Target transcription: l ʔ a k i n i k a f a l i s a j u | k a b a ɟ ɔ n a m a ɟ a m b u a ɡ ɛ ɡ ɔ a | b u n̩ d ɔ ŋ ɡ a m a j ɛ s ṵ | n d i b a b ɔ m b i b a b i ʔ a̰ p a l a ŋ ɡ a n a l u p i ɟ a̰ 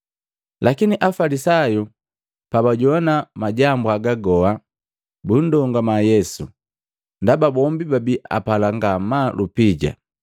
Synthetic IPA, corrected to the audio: l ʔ a k i n i ʔ a f a l i s a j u | p a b a ɟ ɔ n a m a ɟ a m b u a ɡ a ɡ ɔ a | b u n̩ d ɔ ŋ ɡ a m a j ɛ s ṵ | n d a b a b ɔ m b i b a b i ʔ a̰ p a l a ŋ ɡ a m a l u p i ɟ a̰